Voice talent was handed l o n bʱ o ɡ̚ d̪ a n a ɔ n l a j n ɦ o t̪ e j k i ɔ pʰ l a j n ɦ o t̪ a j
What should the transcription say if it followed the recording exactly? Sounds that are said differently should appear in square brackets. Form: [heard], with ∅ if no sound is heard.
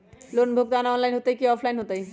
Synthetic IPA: l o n bʱ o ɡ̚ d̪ a n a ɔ n l a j n ɦ o t̪ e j k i ɔ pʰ l a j n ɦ o t̪ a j

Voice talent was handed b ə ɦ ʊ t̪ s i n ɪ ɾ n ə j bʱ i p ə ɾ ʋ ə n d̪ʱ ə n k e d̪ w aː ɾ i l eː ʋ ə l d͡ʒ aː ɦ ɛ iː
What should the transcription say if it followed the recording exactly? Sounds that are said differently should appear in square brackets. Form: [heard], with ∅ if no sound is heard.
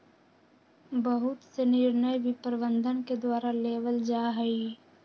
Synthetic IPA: b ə ɦ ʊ t̪ s [e] n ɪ ɾ n ə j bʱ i p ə ɾ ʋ ə n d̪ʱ ə n k e d̪ w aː ɾ [a] l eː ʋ ə l d͡ʒ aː ɦ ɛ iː

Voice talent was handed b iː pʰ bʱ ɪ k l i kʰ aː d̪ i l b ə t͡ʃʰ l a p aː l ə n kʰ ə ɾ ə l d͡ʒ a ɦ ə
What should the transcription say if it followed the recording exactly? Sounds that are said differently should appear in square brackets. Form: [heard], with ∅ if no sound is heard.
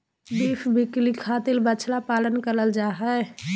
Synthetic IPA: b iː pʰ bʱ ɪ k l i kʰ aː [t̪] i l b ə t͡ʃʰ l a p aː l ə n [k] ə ɾ ə l d͡ʒ a ɦ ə

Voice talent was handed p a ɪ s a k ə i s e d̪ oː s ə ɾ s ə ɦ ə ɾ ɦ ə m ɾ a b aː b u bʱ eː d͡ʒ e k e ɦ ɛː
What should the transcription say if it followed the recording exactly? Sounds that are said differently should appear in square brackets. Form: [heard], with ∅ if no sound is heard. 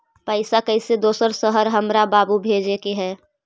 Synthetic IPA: p [ə] ɪ s a k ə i s e d̪ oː s ə ɾ s ə ɦ ə ɾ ɦ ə m ɾ a b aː b u bʱ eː d͡ʒ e k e ɦ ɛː

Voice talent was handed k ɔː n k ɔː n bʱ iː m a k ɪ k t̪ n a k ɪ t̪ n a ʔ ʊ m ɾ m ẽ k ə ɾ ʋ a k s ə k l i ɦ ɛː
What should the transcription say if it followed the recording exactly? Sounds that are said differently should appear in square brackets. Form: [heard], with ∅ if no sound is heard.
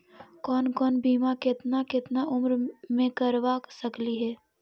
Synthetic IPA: k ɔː n k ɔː n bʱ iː m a k ɪ [∅] t̪ n a k ɪ t̪ n a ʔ ʊ m ɾ m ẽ k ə ɾ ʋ a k s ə k l i ɦ ɛː

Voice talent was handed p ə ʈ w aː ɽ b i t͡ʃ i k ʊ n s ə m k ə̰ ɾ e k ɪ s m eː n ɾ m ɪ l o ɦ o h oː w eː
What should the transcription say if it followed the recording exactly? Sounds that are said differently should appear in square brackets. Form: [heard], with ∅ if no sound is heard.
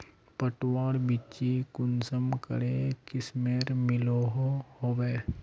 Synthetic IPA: p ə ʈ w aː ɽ b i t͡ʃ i k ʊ n s ə m k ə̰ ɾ e k ɪ s m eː [∅] ɾ m ɪ l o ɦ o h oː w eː

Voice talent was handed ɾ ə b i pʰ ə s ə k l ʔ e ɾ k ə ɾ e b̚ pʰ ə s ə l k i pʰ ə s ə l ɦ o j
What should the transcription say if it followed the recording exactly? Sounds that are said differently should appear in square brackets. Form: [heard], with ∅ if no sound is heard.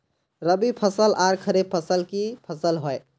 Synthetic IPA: ɾ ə b i pʰ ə s ə [∅] l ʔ [a] ɾ [kʰ] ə ɾ e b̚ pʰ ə s ə l k i pʰ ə s ə l ɦ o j

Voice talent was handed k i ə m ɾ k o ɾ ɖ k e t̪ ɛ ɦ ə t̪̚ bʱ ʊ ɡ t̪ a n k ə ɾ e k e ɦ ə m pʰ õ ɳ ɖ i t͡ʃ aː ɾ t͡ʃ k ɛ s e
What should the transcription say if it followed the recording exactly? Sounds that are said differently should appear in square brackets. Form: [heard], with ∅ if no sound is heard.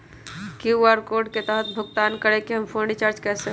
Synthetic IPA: k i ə [∅] ɾ k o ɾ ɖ k e t̪ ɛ ɦ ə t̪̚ bʱ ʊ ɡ t̪ a n k ə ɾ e k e ɦ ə m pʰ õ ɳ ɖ i t͡ʃ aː ɾ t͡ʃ k ɛ s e

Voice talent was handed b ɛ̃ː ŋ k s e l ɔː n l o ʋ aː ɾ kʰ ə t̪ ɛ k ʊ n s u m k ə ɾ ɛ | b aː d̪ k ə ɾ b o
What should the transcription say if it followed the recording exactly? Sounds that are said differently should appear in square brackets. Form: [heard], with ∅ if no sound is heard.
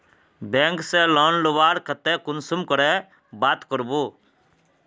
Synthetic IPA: b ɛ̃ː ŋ k s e l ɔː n l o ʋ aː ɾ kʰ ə t̪ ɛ k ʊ n s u m k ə ɾ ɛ | b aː [t̪] k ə ɾ b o

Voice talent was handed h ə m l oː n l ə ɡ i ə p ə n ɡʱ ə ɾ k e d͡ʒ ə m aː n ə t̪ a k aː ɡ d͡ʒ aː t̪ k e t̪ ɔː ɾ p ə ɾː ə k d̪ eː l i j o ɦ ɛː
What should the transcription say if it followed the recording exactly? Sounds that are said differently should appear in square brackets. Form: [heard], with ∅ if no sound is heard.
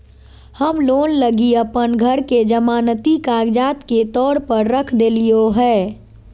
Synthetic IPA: h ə m l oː n l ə ɡ i ə p ə n ɡʱ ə ɾ k e d͡ʒ ə m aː n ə t̪ [i] k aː ɡ d͡ʒ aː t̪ k e t̪ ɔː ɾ p ə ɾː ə [kʰ] d̪ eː l i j o ɦ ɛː

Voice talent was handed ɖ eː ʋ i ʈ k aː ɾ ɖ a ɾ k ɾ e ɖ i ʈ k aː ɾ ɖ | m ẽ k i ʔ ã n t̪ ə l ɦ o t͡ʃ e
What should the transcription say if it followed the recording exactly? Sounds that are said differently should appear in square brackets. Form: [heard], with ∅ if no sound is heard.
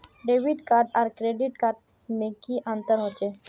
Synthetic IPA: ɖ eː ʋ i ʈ k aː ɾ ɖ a ɾ k ɾ e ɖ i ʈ k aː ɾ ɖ | m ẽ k i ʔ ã n t̪ ə [ɾ] ɦ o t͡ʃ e

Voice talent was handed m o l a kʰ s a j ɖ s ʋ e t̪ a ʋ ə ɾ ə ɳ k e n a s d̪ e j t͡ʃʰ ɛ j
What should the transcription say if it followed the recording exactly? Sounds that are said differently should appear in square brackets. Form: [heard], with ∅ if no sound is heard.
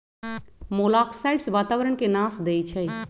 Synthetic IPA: m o l a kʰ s a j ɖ s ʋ [a] t̪ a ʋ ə ɾ ə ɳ k e n a s d̪ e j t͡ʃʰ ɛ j

